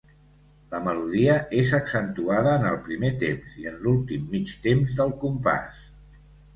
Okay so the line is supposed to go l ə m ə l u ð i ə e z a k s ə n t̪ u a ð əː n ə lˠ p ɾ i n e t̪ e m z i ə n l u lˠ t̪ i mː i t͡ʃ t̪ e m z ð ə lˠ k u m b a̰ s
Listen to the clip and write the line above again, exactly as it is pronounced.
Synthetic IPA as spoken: l ə m ə l u ð i ə e z ə k s ə n t̪ u a ð əː n ə lˠ p ɾ i m e t̪ e m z i ə n l u lˠ t̪ i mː i t͡ʃ t̪ e m z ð ə lˠ k u m p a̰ s